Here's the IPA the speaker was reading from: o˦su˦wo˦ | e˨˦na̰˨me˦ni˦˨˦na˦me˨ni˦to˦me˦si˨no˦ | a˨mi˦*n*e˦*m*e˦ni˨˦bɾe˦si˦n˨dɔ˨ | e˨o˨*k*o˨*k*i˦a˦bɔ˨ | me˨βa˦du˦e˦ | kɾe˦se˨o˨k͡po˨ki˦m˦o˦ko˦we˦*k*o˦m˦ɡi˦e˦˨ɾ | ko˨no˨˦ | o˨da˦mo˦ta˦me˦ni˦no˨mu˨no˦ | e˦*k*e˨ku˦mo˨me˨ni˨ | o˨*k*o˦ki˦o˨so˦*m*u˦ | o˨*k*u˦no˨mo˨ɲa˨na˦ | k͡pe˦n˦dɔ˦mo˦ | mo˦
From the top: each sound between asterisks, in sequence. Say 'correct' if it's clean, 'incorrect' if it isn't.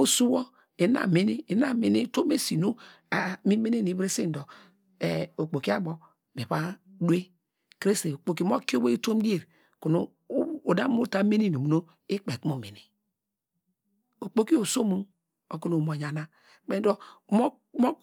incorrect: m, incorrect: n, incorrect: k͡p, correct, incorrect: t, incorrect: k͡p, incorrect: k͡p, correct, correct

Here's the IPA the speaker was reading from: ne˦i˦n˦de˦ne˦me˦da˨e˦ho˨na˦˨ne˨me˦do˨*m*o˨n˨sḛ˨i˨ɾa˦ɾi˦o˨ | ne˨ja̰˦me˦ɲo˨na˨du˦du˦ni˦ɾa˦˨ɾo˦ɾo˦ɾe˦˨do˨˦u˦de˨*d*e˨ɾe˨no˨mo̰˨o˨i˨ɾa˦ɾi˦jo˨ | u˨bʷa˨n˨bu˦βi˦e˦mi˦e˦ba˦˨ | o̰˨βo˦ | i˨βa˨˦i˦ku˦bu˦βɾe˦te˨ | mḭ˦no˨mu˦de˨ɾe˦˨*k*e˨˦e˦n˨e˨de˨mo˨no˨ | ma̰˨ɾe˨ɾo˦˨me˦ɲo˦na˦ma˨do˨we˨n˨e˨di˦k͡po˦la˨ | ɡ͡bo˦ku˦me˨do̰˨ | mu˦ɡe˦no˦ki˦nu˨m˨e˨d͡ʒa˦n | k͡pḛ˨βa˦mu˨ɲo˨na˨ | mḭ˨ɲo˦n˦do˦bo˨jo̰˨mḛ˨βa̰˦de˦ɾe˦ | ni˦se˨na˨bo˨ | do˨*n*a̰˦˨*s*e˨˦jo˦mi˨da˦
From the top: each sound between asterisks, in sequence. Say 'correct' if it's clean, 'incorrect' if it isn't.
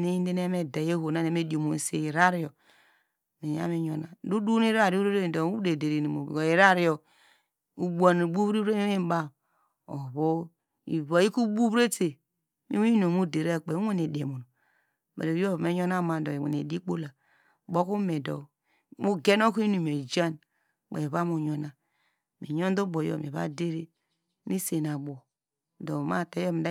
correct, correct, incorrect: k͡p, incorrect: m, incorrect: t

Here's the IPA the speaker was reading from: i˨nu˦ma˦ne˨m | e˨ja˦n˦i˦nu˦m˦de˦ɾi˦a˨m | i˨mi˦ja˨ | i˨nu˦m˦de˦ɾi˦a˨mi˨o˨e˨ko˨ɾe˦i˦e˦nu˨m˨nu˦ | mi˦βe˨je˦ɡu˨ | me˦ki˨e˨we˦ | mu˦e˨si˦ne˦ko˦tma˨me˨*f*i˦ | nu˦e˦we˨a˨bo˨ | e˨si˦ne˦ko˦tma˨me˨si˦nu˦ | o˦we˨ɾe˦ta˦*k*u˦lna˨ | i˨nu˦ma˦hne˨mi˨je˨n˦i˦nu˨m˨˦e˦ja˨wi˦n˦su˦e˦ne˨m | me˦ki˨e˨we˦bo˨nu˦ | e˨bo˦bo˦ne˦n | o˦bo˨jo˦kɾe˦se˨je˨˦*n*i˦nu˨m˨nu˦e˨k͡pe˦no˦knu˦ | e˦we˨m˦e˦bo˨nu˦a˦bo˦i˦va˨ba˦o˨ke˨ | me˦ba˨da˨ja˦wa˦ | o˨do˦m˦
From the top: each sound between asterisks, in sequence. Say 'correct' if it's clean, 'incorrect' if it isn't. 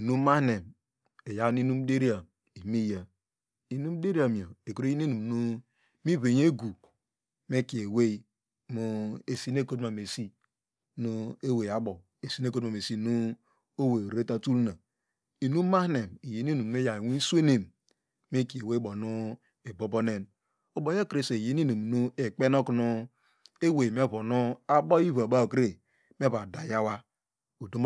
incorrect: s, incorrect: t, correct

